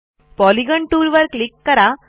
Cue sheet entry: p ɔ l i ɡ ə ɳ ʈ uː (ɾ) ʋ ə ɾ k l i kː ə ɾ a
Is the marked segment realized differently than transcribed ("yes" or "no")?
no